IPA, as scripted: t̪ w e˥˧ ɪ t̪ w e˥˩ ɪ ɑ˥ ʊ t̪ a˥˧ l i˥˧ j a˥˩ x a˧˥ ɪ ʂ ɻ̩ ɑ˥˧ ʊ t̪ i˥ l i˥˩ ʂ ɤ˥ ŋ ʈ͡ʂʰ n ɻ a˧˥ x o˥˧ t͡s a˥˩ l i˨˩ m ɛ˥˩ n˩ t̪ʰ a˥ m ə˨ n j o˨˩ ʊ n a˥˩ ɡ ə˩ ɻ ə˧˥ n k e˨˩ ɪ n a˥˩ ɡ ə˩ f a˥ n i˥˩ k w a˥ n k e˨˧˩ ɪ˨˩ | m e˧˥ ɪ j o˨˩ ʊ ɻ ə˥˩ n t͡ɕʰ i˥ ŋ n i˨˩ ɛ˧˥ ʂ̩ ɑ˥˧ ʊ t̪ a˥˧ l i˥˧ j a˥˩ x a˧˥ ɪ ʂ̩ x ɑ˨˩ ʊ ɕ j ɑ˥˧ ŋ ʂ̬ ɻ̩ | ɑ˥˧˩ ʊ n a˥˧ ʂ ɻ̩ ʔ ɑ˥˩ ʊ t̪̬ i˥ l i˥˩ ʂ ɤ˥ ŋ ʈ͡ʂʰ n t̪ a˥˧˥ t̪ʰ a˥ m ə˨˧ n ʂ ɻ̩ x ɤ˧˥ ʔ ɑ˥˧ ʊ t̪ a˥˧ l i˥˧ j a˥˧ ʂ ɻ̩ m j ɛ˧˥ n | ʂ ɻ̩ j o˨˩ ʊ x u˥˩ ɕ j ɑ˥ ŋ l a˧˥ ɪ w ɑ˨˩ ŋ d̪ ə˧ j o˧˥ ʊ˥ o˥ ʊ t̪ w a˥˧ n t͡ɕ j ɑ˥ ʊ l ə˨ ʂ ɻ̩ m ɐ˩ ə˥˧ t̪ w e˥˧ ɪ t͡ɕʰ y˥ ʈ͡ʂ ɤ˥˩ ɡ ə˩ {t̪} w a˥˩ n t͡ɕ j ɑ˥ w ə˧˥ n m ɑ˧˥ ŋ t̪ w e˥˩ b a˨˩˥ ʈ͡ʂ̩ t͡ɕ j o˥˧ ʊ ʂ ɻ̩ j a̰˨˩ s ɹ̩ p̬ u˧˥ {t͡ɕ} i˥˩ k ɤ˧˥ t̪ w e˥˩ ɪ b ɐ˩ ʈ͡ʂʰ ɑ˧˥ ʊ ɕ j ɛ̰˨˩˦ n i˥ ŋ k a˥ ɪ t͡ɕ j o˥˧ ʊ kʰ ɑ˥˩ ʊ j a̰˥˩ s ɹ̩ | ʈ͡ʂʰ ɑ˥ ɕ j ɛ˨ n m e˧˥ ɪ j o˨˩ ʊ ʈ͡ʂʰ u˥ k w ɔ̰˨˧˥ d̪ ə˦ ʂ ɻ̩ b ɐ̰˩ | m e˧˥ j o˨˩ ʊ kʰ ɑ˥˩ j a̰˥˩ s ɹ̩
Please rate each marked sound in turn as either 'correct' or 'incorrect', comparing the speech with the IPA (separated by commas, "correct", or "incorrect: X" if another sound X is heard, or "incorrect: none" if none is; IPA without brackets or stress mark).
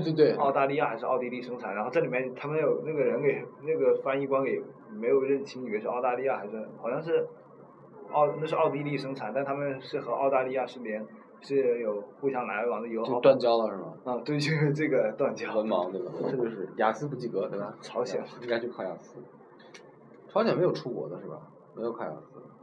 correct, correct